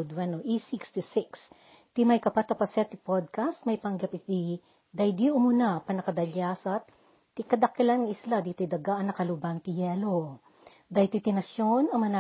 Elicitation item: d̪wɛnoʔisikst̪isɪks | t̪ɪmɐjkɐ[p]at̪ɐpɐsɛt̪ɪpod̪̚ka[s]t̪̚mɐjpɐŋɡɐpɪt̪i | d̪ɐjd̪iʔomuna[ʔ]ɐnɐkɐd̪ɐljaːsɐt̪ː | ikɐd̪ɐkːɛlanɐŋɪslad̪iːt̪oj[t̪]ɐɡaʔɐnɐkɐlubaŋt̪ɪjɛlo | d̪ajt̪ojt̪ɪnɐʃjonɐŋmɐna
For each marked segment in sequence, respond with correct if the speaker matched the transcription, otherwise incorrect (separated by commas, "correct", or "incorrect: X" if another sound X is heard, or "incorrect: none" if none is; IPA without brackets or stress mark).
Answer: correct, correct, incorrect: p, incorrect: d̪